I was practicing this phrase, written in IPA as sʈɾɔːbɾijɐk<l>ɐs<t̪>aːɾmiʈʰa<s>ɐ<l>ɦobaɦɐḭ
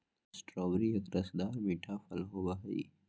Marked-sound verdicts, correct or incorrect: incorrect, incorrect, incorrect, correct

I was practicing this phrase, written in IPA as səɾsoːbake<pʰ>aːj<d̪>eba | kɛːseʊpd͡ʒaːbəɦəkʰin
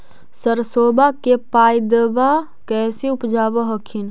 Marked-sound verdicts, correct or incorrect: incorrect, correct

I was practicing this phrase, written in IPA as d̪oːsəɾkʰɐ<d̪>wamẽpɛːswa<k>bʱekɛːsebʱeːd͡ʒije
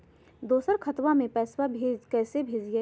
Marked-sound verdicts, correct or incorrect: incorrect, incorrect

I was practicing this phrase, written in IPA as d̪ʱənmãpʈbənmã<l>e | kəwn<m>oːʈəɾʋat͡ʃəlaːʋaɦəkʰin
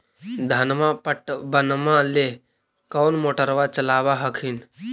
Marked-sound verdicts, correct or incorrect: correct, correct

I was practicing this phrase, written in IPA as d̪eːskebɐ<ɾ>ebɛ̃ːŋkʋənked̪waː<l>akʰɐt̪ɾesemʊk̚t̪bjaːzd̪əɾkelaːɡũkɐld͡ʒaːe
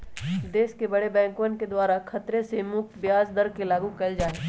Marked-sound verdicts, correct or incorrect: incorrect, incorrect

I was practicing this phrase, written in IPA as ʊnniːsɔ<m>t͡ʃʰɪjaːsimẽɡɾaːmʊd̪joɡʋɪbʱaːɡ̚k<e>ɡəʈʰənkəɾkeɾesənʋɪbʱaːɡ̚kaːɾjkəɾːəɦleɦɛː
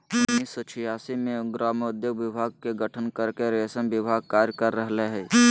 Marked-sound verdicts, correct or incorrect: incorrect, correct

